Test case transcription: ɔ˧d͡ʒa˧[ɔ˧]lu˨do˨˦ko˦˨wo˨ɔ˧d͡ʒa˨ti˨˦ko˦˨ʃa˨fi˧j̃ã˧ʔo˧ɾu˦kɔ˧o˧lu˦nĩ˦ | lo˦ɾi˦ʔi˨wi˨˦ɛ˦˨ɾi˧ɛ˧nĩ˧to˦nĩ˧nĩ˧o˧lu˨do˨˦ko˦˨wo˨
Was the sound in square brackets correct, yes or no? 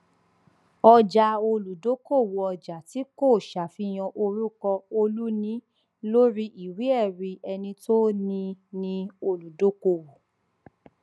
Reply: no